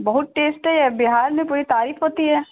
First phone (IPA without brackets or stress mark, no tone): b